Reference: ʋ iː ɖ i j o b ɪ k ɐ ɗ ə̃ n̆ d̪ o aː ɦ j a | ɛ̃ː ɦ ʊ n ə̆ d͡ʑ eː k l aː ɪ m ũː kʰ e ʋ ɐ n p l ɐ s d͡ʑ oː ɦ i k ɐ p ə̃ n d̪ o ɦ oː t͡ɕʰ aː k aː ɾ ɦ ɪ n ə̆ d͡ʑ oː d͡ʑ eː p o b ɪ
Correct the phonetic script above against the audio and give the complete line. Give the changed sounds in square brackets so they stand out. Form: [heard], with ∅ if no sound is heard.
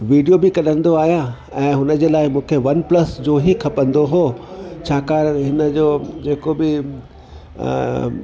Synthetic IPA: ʋ iː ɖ i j o b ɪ k ɐ ɗ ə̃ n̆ d̪ o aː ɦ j a | ɛ̃ː ɦ ʊ n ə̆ d͡ʑ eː [∅] l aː ɪ m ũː kʰ e ʋ ɐ n p l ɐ s d͡ʑ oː ɦ i [kʰ] ɐ p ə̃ n d̪ o ɦ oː t͡ɕʰ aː k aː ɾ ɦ ɪ n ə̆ d͡ʑ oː d͡ʑ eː [k] o b ɪ

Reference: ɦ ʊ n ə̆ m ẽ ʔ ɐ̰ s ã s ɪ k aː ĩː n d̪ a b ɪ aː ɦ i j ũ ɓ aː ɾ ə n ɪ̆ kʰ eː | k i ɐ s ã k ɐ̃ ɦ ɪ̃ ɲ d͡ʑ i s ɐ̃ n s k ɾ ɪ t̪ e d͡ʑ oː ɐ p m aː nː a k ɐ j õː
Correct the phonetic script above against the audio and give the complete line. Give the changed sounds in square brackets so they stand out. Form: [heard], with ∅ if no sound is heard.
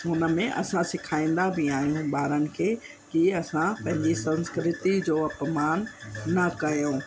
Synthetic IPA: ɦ ʊ n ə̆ m ẽ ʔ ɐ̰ s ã s ɪ [kʰ] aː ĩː n d̪ a b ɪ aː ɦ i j ũ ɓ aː ɾ ə n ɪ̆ kʰ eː | k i ɐ s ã [p] ɐ̃ ɦ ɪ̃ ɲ d͡ʑ i s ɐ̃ n s k ɾ ɪ t̪ [i] d͡ʑ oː ɐ p m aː nː [ɐ] k ɐ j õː

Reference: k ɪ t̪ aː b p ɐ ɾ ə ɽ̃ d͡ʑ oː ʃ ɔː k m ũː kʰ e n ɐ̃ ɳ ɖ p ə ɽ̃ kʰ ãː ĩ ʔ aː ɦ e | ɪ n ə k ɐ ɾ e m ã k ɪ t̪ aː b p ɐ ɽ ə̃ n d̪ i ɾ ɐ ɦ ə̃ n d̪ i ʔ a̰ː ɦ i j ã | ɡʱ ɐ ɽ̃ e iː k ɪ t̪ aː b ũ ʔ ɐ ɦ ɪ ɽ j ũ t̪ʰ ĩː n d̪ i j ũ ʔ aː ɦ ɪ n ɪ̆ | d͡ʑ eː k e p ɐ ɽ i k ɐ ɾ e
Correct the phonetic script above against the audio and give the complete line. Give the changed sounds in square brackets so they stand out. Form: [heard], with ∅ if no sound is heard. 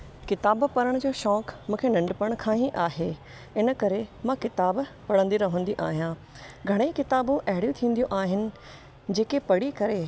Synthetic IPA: k ɪ t̪ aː b p ɐ ɾ ə ɽ̃ d͡ʑ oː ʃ ɔː k m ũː kʰ e n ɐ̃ ɳ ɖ p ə ɽ̃ kʰ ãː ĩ ʔ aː ɦ e | ɪ n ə k ɐ ɾ e m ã k ɪ t̪ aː b p ɐ ɽ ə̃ n d̪ i ɾ ɐ ɦ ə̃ n d̪ i ʔ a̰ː ɦ i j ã | ɡʱ ɐ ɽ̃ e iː k ɪ t̪ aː b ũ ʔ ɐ ɦ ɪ ɽ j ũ t̪ʰ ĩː n d̪ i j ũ ʔ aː ɦ ɪ n ɪ̆ | d͡ʑ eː k e p ɐ ɽ i k ɐ ɾ e

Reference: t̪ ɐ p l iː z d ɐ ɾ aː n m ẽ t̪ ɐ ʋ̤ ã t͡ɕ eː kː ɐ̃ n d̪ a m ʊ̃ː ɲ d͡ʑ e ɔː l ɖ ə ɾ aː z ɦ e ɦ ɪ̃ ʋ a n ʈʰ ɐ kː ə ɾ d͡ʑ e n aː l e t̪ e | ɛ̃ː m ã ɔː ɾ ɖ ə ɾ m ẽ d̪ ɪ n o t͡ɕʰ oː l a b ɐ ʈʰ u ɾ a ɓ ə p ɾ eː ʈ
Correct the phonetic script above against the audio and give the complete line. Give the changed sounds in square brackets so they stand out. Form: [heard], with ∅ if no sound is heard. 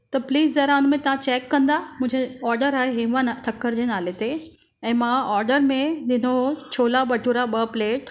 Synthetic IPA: t̪ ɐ p l iː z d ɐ ɾ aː n m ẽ t̪ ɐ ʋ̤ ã t͡ɕ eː kː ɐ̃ n d̪ a m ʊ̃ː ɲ d͡ʑ e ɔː [ɾ] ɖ ə ɾ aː [∅] ɦ e ɦ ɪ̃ ʋ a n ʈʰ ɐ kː ə ɾ d͡ʑ e n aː l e t̪ e | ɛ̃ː m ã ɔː ɾ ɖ ə ɾ m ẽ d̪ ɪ n o t͡ɕʰ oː l a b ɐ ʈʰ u ɾ a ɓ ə p [l] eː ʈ

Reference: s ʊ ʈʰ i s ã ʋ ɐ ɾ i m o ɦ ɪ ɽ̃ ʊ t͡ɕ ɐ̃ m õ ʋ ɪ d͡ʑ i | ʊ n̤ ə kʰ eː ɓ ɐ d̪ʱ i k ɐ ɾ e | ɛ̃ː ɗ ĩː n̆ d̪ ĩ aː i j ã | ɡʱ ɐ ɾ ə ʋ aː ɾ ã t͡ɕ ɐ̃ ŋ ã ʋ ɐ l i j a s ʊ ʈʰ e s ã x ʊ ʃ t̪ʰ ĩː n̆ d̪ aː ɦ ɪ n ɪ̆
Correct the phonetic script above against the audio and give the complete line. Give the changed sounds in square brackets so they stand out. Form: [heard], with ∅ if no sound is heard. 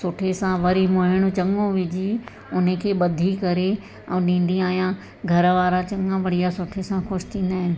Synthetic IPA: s ʊ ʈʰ [e] s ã ʋ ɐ ɾ i m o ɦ ɪ ɽ̃ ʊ t͡ɕ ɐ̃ [ŋ] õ ʋ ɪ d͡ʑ i | ʊ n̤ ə kʰ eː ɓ ɐ d̪ʱ i k ɐ ɾ e | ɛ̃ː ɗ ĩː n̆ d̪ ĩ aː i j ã | ɡʱ ɐ ɾ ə ʋ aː ɾ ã t͡ɕ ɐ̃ ŋ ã ʋ ɐ [ɽ] i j a s ʊ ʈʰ e s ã x ʊ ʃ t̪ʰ ĩː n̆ d̪ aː ɦ ɪ n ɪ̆

